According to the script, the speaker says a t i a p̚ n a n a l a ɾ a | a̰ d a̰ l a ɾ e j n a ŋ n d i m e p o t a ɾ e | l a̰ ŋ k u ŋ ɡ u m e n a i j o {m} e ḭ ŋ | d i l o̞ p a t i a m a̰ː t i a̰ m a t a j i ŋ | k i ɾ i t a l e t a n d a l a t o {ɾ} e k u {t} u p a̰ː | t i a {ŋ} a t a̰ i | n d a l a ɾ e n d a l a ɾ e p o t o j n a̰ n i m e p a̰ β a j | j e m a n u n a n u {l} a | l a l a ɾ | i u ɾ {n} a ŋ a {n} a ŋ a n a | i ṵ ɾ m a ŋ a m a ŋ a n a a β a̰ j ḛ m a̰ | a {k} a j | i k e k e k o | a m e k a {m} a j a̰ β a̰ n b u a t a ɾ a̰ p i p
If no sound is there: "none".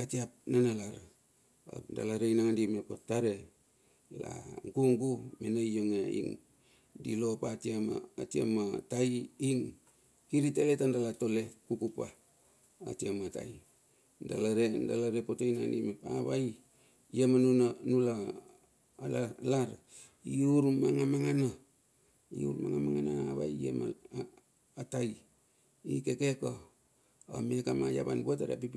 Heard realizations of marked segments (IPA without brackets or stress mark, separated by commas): ŋ, l, k, m, l, m, m, t, m